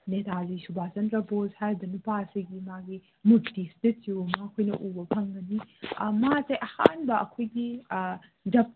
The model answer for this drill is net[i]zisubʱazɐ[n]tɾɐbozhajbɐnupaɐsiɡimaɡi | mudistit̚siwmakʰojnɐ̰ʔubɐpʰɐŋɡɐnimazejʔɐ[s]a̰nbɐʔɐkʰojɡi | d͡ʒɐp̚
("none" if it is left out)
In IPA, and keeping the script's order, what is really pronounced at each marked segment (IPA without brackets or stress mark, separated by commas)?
a, n, h